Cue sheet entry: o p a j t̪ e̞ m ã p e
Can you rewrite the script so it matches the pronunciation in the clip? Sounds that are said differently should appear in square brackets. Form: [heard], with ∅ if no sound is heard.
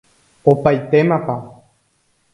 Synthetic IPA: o p a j t̪ e̞ m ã p [a]